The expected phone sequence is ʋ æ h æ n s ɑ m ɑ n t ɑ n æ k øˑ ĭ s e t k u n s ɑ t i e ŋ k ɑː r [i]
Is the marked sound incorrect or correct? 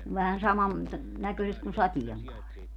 correct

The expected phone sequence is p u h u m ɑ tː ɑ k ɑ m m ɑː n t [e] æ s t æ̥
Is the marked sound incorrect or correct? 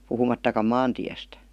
incorrect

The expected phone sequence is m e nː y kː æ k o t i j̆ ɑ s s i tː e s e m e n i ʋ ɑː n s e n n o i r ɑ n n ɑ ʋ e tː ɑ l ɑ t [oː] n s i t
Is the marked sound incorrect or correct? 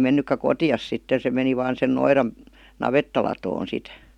correct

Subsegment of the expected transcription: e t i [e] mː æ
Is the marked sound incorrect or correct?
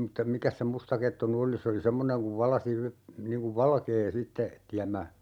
incorrect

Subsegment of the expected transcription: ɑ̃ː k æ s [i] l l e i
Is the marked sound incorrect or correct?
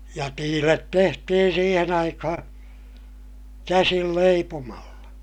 correct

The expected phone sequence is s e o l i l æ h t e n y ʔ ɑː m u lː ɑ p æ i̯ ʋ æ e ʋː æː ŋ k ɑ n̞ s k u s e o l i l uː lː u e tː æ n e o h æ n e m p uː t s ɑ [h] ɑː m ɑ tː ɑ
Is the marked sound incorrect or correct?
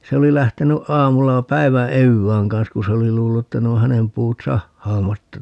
incorrect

